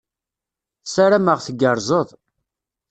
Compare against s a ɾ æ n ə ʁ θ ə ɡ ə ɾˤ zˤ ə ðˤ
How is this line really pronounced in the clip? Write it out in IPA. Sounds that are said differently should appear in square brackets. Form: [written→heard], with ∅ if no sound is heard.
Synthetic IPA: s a ɾ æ [n→m] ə ʁ θ ə ɡ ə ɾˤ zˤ ə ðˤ